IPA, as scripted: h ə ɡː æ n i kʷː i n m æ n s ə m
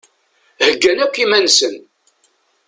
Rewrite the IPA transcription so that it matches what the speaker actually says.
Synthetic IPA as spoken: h ə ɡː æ n æ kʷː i m æ n s ə n

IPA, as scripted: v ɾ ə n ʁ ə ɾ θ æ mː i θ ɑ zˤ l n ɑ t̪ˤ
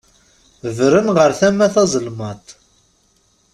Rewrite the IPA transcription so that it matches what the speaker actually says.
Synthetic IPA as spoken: v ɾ ə n ʁ ə ɾ θ æ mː æ θ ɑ zˤ l m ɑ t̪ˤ

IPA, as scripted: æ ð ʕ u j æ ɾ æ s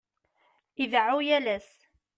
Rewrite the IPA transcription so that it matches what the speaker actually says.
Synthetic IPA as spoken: i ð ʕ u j æ l æ s

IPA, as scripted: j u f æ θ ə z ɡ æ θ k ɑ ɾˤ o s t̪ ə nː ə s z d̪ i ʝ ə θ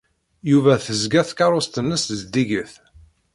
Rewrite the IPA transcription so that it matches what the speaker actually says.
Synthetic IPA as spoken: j u v æ θ ə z ɡ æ θ k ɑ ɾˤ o s t̪ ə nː ə s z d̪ i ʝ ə θ

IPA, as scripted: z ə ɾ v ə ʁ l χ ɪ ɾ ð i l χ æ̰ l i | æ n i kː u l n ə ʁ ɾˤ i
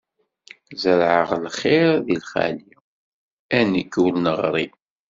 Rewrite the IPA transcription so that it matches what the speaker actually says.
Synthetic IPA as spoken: z ə ɾ ʕ ə ʁ l χ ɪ ɾ ð i l χ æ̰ l i | æ n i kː u l n ə ʁ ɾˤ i

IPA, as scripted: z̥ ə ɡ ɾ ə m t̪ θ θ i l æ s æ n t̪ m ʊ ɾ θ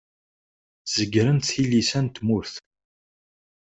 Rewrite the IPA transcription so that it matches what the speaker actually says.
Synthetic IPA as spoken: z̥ ə ɡ ɾ ə n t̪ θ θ i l i s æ n t̪ m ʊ ɾ θ

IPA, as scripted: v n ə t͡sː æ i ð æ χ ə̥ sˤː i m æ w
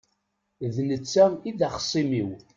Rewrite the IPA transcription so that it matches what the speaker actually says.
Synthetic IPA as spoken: ð n ə t͡sː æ i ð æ χ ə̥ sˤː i m i w

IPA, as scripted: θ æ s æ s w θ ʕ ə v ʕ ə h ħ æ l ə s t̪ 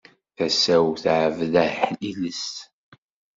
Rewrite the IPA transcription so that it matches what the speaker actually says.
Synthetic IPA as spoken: θ æ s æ w θ ʕ ə v ð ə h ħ i l ə s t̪

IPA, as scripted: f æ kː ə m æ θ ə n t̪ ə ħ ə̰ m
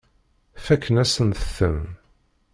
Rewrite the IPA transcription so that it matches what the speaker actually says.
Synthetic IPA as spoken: f æ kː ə n æ s ə n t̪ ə θ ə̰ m

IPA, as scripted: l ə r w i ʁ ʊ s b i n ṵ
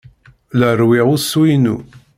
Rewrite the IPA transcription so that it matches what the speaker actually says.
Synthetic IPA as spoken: l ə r w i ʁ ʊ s w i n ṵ

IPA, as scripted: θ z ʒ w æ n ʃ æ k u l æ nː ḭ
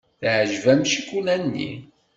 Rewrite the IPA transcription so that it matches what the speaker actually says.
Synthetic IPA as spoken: θ ʕ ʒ v æ m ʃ i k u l æ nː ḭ

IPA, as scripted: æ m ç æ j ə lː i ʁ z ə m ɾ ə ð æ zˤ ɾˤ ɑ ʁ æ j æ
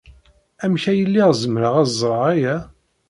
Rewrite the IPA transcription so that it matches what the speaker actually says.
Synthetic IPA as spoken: æ m ç æ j ə lː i ʁ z ə m ɾ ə ʁ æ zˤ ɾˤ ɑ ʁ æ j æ

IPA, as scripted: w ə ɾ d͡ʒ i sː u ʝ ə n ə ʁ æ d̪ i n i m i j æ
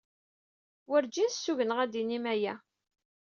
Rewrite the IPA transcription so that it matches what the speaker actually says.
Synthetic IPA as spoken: w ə ɾ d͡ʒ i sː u ʝ ə n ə ʁ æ d̪ i n i m æ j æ

